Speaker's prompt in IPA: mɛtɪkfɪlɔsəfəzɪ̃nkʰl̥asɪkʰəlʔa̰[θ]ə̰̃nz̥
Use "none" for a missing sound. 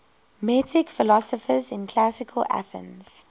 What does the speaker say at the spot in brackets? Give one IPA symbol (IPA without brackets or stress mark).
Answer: θ